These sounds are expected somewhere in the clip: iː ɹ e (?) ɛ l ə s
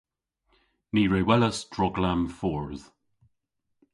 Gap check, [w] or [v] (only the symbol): w